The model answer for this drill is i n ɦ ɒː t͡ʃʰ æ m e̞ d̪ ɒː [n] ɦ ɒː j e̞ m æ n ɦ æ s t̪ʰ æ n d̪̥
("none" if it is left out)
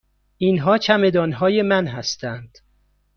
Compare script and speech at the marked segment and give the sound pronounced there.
n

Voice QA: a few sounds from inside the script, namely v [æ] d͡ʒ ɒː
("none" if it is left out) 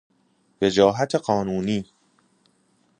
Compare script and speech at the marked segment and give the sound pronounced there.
e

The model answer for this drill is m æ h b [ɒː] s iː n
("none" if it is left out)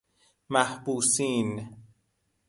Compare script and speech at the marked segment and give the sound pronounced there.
uː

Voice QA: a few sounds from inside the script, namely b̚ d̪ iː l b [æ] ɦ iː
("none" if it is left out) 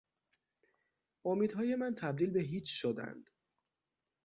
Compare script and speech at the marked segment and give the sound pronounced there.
e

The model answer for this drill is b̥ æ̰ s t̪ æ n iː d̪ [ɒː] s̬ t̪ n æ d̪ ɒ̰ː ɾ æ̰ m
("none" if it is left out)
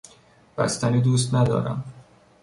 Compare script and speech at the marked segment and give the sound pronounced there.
uː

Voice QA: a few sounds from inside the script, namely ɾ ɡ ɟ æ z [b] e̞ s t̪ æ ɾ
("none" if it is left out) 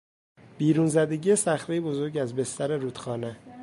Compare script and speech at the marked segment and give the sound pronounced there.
b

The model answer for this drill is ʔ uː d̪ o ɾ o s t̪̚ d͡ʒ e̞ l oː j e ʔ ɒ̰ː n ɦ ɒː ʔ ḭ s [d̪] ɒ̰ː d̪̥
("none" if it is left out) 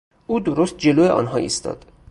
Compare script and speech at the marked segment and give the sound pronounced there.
t̪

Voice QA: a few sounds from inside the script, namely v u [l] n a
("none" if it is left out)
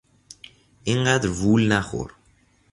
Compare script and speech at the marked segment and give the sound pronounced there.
l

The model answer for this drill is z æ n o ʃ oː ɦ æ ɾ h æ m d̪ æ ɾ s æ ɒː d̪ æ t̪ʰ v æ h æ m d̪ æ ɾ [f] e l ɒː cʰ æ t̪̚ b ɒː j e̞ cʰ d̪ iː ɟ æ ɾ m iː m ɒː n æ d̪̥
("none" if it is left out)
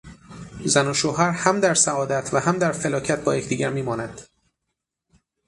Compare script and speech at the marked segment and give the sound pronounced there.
f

